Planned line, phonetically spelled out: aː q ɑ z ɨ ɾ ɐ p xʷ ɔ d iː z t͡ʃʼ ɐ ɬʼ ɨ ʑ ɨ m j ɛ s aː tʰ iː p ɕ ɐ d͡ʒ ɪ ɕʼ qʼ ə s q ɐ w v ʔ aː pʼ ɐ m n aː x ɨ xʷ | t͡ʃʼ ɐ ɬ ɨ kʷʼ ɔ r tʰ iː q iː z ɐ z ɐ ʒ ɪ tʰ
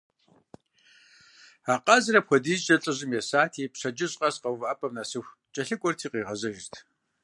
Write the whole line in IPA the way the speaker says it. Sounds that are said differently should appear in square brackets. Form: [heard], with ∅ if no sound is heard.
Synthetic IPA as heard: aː q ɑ z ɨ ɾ ɐ p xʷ ɔ d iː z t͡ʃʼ ɐ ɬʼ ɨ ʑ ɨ m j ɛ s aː tʰ iː p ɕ ɐ d͡ʒ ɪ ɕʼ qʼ [ɐ] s q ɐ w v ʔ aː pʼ ɐ m n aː [s] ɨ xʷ | t͡ʃʼ ɐ ɬ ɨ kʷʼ ɔ r tʰ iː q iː [ʁ] ɐ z ɐ ʒ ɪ tʰ